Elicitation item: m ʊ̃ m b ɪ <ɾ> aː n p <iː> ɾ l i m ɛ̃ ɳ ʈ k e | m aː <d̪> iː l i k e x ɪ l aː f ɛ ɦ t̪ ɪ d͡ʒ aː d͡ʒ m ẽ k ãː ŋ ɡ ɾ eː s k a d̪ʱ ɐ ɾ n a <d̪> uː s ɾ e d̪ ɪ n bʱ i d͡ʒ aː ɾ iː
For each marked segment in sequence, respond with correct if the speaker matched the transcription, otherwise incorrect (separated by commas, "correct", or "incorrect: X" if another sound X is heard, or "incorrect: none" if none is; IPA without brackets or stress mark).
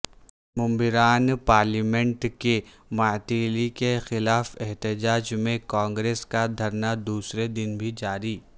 correct, incorrect: aː, incorrect: t̪, correct